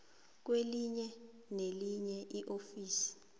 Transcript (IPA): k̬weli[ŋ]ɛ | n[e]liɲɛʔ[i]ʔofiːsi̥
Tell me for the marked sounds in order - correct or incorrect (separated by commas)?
incorrect, correct, correct